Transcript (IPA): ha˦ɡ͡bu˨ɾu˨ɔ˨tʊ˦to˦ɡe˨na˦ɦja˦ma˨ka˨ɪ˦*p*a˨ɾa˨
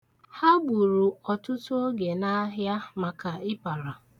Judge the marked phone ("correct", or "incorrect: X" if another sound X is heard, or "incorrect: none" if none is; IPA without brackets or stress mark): correct